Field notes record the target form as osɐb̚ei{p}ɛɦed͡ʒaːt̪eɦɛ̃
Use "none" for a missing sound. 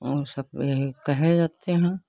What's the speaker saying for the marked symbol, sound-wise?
k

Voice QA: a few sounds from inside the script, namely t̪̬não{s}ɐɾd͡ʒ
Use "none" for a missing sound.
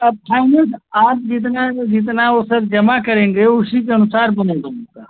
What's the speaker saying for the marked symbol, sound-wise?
s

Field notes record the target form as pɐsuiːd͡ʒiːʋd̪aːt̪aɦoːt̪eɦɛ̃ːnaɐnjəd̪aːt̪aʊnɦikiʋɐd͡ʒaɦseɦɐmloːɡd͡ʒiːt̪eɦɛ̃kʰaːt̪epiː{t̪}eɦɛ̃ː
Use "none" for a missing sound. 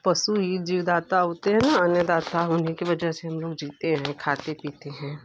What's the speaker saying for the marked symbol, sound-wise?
t̪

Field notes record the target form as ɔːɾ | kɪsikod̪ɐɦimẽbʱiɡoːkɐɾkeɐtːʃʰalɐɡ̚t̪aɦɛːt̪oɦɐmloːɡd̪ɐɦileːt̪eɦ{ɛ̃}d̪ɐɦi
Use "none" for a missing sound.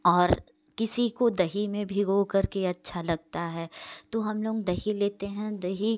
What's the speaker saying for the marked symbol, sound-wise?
ɛ̃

